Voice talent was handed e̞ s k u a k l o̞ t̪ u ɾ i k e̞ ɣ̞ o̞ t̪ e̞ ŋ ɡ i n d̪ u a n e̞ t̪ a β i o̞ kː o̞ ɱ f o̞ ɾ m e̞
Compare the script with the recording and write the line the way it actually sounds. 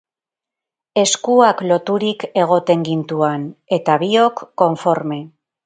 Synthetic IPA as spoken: e̞ s k u a k l o̞ t̪ u ɾ i k e̞ ɣ̞ o̞ t̪ e̞ ŋ ɡ i n t̪ u a n e̞ t̪ a β i o̞ kː o̞ ɱ f o̞ ɾ m e̞